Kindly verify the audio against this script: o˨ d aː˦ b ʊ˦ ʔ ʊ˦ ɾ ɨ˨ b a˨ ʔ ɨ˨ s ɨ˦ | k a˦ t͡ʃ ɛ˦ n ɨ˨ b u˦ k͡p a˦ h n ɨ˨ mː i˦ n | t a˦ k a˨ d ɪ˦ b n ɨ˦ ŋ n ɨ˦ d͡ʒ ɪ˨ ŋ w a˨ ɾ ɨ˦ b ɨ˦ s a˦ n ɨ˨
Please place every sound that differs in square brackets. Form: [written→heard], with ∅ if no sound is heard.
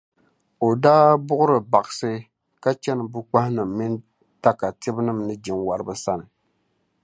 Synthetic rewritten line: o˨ d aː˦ b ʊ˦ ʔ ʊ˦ ɾ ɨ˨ b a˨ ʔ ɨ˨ s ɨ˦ | k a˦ t͡ʃ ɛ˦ n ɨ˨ b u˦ k͡p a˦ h n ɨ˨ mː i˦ n | t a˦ k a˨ [d→t] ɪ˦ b n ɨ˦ [ŋ→m] n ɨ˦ d͡ʒ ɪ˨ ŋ w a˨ ɾ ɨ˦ b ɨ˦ s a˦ n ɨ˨

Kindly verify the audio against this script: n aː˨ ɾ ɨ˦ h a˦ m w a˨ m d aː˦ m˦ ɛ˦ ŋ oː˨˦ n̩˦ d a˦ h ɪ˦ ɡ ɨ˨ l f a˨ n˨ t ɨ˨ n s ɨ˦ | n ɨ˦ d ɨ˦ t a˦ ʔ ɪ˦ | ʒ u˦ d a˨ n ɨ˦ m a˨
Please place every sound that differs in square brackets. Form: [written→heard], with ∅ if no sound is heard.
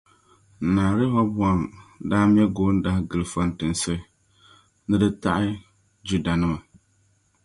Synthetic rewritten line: n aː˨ ɾ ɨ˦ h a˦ [m→b] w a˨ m d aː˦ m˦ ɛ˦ [ŋ→ɡ] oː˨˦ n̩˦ d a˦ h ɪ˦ ɡ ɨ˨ l f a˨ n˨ t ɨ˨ n s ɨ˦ | n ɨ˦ d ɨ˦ t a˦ ʔ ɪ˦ | [ʒ→d͡ʒ] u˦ d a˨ n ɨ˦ m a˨

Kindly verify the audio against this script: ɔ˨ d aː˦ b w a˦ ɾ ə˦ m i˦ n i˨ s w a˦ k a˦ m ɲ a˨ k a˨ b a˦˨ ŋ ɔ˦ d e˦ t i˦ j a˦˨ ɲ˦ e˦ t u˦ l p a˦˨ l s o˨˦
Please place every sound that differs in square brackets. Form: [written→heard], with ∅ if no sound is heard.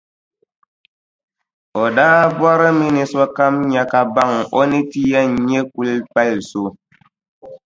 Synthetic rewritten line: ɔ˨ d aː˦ b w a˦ ɾ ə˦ m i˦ n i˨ s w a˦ k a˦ m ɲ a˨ k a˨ b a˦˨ ŋ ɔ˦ [d→n] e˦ t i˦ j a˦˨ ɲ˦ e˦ [t→k] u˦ l p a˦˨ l s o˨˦

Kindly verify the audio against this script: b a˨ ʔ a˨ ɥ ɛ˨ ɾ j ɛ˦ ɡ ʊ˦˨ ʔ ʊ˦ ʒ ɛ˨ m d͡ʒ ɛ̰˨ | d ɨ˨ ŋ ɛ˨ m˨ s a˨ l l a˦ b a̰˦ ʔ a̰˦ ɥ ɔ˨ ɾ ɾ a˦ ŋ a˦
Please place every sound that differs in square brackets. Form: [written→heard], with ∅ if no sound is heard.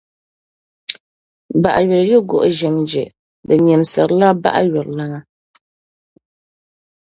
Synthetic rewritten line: b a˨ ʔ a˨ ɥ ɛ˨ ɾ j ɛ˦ ɡ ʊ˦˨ ʔ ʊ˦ ʒ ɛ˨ m d͡ʒ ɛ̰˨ | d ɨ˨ [ŋ→ɲ] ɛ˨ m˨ s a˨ [l→ɾ] l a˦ b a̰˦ ʔ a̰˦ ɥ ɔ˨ ɾ [ɾ→l] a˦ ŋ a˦

